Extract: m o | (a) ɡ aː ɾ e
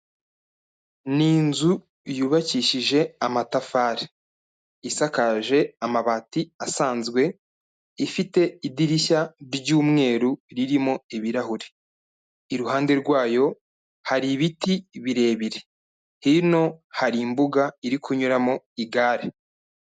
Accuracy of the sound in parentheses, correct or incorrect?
incorrect